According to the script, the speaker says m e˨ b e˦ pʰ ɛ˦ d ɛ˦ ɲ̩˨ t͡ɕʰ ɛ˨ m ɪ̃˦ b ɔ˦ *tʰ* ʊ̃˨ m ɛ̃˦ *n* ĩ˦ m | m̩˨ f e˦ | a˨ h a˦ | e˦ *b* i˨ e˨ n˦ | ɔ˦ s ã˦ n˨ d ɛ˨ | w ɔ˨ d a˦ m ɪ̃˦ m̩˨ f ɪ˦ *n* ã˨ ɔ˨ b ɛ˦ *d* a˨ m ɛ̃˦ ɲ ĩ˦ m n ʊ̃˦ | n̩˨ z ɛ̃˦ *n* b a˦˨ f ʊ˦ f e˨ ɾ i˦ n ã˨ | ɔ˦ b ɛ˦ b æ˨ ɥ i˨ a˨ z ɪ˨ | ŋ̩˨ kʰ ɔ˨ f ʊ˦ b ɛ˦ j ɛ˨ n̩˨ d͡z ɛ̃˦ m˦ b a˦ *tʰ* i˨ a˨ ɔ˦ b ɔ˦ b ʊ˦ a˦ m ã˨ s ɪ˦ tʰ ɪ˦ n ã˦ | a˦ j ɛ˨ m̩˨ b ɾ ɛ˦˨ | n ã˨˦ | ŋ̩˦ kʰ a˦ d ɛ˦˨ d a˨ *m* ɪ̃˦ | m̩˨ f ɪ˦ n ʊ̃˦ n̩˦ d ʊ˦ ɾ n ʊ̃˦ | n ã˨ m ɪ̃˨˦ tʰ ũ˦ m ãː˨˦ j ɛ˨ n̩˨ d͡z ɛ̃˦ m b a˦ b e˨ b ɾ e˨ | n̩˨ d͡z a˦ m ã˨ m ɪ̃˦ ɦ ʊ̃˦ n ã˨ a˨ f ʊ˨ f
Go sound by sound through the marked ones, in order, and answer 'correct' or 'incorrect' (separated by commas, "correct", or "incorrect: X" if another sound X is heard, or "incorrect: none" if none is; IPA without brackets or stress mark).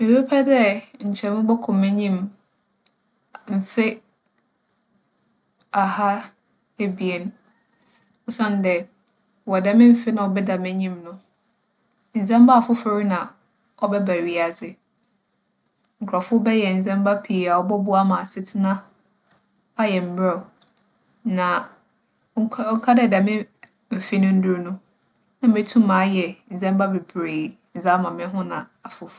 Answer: incorrect: kʰ, incorrect: ɲ, correct, correct, correct, incorrect: m, incorrect: pʰ, correct